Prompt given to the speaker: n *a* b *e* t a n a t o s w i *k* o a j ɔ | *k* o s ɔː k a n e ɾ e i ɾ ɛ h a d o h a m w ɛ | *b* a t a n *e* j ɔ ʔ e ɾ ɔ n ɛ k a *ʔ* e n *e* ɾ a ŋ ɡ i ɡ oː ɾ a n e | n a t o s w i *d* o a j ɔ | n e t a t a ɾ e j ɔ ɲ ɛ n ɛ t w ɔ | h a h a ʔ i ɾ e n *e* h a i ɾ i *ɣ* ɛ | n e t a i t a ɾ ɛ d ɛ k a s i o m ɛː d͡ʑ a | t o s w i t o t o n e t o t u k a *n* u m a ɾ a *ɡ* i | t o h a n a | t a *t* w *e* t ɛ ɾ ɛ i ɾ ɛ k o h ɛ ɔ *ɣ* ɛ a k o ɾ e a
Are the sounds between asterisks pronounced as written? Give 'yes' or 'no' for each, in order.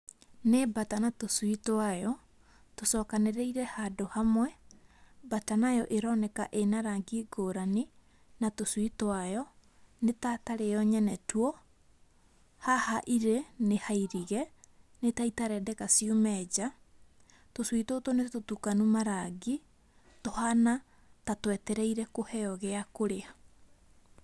no, no, no, no, yes, no, yes, no, no, yes, yes, yes, yes, yes, no, yes

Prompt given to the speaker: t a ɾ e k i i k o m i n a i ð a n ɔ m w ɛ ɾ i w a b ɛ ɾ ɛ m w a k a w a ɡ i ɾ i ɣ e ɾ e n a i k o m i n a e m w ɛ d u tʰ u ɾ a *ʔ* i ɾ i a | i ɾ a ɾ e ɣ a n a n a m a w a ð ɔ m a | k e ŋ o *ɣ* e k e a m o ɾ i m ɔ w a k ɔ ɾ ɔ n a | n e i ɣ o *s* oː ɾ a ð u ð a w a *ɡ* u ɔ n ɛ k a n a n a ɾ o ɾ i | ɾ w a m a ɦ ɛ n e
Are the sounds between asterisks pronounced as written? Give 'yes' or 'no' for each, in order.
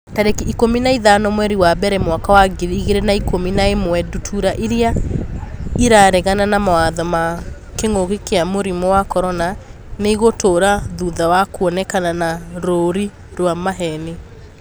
yes, yes, no, no

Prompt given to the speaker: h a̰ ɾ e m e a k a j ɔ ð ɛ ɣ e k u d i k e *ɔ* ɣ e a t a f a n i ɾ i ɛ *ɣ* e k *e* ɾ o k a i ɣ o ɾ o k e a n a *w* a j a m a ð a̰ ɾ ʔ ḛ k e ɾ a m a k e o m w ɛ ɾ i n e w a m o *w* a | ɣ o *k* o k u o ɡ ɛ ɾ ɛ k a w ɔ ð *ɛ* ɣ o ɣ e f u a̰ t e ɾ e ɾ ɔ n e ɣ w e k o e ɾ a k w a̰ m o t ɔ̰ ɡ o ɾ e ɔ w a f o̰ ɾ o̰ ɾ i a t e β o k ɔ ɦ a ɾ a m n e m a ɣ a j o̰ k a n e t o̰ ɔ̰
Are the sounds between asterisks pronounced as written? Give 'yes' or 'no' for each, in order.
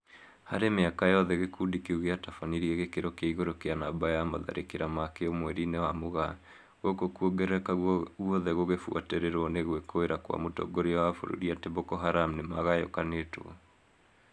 no, yes, yes, no, no, yes, yes

